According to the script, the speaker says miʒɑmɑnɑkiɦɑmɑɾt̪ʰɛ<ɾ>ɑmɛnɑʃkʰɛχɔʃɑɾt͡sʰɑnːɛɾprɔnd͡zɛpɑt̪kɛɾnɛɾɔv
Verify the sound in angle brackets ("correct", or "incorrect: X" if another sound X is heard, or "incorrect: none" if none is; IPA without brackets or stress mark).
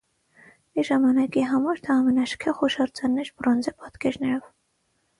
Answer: incorrect: none